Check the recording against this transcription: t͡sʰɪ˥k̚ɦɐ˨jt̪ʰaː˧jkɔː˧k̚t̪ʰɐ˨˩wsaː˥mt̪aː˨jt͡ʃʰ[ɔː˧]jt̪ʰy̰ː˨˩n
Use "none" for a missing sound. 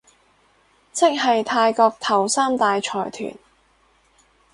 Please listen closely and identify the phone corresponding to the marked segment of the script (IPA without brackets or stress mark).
ɔː˨˩